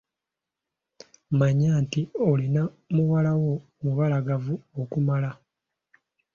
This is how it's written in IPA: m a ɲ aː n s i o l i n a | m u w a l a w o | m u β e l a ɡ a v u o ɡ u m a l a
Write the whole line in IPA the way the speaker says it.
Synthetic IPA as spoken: m a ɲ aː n t i o l i n a | m u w a l a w o | m u β a l a ɡ a v u o k u m a l a